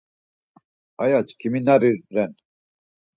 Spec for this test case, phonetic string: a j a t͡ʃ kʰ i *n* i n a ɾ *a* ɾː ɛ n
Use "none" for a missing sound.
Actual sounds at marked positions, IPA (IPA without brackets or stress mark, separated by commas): m, i